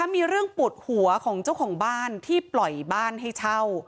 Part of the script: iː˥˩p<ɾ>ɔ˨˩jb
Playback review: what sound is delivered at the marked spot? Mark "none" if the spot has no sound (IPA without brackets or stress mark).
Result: l